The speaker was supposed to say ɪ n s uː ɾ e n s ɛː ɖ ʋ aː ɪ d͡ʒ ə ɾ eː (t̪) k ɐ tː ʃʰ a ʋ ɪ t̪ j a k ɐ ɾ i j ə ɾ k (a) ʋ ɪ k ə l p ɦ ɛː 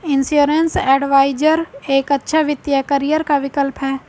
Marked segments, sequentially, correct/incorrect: incorrect, correct

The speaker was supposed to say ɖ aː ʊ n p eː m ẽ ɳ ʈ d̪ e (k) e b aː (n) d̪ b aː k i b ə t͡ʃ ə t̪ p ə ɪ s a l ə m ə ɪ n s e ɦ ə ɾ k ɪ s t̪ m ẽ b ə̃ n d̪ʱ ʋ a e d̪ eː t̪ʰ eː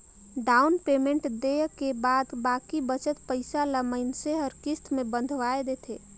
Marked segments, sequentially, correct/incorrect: correct, incorrect

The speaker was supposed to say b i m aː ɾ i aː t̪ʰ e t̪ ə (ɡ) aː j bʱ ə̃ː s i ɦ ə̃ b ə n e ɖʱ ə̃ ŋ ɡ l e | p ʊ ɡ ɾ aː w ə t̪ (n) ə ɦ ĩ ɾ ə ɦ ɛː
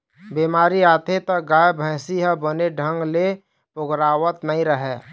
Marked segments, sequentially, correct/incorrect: correct, correct

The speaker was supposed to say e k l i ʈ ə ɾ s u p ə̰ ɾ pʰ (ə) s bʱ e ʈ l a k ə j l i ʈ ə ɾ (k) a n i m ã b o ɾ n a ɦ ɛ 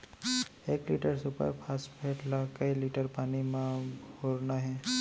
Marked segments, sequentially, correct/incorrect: incorrect, incorrect

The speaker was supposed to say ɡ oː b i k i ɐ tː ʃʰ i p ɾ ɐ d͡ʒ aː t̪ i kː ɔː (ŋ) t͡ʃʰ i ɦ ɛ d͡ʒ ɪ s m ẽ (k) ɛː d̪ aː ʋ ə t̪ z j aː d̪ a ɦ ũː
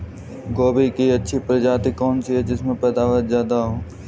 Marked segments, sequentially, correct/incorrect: incorrect, incorrect

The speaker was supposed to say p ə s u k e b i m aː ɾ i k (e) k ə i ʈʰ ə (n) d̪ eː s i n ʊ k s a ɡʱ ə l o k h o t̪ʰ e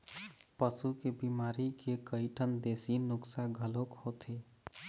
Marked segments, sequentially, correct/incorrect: correct, correct

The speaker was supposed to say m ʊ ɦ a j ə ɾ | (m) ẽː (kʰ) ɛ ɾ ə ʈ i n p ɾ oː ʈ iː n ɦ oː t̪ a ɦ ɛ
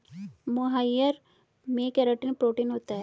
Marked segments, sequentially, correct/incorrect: correct, incorrect

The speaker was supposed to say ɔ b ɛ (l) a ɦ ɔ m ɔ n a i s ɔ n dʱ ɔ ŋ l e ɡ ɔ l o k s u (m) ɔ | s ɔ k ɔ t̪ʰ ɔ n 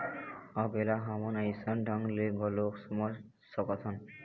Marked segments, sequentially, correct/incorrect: correct, correct

